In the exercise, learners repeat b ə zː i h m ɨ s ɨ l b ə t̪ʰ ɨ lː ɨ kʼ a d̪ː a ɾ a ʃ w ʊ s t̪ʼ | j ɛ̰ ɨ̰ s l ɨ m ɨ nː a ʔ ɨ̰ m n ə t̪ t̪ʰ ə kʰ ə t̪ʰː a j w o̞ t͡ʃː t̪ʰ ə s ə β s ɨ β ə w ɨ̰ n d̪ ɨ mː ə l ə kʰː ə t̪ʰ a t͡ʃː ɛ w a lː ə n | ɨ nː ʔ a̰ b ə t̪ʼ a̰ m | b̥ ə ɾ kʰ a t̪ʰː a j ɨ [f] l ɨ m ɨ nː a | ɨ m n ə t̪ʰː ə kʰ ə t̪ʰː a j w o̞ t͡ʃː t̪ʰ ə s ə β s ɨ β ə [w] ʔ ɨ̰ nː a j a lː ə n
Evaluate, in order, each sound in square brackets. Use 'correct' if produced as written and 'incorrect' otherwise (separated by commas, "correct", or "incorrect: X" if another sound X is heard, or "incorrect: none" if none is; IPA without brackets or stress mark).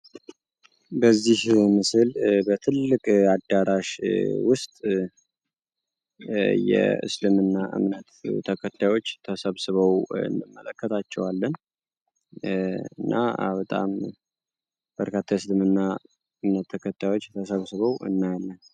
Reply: incorrect: s, correct